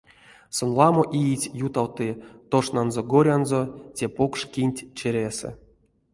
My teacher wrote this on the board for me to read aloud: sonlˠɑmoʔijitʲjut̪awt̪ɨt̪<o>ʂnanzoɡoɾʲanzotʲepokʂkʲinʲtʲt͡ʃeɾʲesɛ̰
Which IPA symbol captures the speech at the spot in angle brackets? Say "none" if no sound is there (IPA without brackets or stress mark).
o